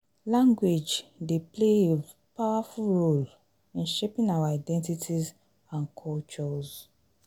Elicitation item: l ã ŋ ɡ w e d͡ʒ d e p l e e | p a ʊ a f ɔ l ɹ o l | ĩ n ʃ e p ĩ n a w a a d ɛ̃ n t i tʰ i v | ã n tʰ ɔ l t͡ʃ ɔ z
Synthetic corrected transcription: l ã ŋ ɡ w e d͡ʒ d e p l e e | p a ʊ a f u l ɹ o l | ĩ n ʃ e p ĩ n a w a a d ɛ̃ n t i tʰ i z | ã n kʰ ɔ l t͡ʃ ɔ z